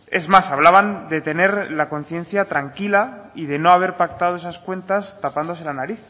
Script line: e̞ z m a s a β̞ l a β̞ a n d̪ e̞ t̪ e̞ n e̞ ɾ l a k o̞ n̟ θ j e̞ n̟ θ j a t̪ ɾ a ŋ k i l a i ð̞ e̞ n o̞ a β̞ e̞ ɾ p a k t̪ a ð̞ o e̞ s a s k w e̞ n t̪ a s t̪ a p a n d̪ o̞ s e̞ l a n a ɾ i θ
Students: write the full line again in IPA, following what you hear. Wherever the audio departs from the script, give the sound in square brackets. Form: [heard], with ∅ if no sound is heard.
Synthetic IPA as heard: e̞ z m a s a β̞ l a β̞ a n d̪ e̞ t̪ e̞ n e̞ ɾ l a k o̞ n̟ θ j e̞ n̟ θ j a t̪ ɾ a ŋ k i l a i ð̞ e̞ n o̞ a β̞ e̞ ɾ p a k t̪ a ð̞ o e̞ s a s k w e̞ n t̪ a s t̪ a p a n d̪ o̞ s e̞ l a n a ɾ i θ